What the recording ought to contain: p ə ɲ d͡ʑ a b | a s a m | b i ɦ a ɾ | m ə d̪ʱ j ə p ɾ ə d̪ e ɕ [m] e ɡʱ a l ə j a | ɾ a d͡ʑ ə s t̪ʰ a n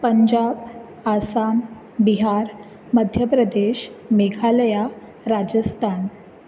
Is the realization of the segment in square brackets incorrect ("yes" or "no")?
no